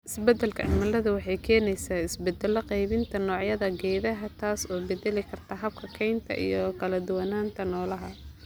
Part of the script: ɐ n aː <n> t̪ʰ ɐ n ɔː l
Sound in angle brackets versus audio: correct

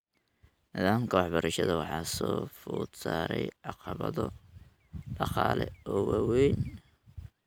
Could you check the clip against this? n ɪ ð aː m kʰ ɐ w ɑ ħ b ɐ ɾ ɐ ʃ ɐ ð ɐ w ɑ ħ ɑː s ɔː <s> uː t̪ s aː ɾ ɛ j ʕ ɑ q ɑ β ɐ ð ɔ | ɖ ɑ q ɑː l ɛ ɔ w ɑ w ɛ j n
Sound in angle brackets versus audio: incorrect: f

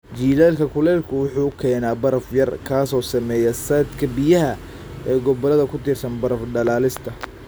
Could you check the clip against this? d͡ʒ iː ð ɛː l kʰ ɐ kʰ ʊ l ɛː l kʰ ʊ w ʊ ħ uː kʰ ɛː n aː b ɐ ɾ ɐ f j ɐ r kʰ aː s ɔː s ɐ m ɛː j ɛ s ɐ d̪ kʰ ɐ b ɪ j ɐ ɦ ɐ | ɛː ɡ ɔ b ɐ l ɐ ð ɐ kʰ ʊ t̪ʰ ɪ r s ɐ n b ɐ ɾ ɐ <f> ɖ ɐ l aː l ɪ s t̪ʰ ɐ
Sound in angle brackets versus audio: correct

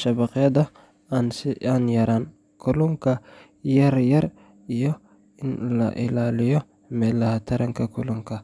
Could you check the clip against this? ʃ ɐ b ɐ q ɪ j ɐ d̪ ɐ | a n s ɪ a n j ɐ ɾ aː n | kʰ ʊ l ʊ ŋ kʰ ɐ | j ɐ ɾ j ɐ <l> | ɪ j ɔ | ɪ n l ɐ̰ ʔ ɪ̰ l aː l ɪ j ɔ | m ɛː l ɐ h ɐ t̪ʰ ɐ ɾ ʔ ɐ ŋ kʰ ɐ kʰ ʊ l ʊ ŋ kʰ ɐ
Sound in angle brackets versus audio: incorrect: ɾ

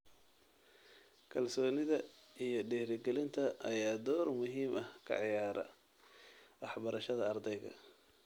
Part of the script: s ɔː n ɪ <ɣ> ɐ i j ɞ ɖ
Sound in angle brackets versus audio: incorrect: ð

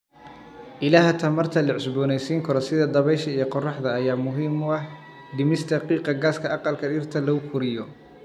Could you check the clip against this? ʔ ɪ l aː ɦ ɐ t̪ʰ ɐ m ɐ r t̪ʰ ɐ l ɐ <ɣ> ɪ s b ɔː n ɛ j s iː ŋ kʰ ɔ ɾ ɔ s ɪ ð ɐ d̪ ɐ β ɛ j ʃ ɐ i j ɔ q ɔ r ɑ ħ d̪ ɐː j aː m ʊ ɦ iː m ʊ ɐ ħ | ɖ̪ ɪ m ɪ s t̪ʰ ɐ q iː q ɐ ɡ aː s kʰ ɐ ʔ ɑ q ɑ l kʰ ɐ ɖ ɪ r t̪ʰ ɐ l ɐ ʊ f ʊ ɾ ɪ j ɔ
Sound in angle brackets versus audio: incorrect: ʕ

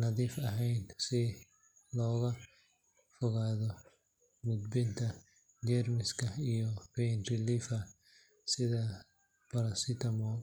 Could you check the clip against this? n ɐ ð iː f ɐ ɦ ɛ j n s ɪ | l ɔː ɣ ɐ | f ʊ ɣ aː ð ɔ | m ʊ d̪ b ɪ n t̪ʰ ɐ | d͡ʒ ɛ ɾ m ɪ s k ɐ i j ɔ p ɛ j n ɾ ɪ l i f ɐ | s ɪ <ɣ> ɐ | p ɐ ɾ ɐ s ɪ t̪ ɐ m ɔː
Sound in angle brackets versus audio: incorrect: ð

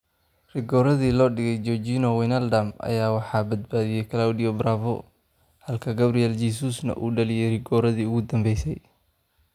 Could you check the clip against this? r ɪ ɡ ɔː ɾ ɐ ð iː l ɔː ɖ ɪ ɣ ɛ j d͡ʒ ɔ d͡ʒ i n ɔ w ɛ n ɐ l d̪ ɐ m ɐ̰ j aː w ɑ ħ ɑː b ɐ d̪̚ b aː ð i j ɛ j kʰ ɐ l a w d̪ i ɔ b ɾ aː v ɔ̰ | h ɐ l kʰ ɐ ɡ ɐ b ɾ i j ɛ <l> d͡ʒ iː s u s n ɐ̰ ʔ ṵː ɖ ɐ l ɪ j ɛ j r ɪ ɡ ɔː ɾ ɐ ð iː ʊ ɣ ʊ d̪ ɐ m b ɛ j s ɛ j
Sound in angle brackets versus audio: correct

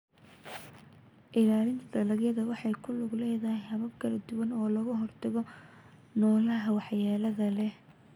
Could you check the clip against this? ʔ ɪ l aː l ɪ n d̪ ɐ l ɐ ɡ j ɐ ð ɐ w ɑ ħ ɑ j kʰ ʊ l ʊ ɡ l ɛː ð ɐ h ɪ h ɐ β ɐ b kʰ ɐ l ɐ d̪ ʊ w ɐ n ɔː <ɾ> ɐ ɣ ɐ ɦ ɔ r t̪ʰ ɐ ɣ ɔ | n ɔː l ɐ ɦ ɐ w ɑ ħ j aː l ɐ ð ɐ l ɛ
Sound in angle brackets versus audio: incorrect: l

